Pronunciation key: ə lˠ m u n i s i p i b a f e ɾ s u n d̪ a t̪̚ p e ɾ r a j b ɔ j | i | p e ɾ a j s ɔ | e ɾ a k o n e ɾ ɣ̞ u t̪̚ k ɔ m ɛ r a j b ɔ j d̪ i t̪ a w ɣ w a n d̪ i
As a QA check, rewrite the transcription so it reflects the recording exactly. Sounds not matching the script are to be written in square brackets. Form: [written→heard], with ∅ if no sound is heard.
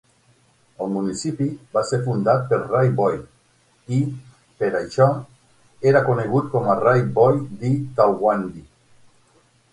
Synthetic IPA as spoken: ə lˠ m u n i s i p i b a [f→s] e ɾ [s→f] u n d̪ a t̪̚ p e ɾ r a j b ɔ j | i | p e ɾ a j [s→ʃ] ɔ | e ɾ a k o n e [ɾ→∅] ɣ̞ u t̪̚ k ɔ m [ɛ→a] r a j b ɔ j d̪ i t̪ a w ɣ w a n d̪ i